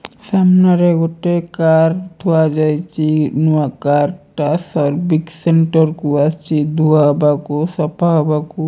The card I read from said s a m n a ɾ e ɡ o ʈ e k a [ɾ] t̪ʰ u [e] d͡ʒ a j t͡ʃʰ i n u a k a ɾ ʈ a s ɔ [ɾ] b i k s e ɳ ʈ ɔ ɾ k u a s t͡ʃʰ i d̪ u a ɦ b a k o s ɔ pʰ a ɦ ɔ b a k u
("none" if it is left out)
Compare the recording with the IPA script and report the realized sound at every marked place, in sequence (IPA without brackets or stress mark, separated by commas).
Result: ɾ, a, ɾ